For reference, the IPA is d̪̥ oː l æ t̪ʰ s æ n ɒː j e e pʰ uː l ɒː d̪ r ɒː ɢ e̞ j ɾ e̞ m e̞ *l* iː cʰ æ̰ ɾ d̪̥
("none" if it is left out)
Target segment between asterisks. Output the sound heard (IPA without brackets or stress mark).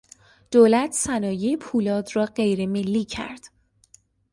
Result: lː